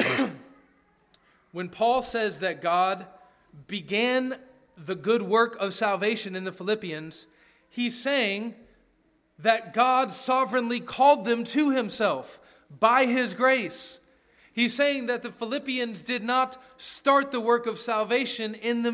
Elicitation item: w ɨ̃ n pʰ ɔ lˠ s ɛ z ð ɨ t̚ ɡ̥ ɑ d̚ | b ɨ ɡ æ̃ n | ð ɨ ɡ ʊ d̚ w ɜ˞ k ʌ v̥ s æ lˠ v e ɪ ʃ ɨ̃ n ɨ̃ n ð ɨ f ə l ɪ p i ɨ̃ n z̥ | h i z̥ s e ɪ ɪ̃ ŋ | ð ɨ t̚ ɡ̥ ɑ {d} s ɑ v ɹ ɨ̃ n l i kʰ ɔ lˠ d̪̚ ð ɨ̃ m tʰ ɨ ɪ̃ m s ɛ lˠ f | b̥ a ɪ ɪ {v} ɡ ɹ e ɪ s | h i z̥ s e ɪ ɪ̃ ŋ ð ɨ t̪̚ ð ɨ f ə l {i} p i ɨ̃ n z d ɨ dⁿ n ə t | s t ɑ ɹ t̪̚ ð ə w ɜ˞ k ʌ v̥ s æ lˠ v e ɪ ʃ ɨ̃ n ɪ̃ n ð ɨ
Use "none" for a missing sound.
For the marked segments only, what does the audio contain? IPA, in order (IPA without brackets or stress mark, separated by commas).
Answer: d, z, ɪ